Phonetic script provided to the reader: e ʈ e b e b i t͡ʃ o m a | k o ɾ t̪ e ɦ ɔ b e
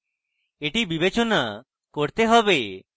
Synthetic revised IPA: e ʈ i b i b e t͡ʃ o n a | k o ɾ t̪ e ɦ ɔ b e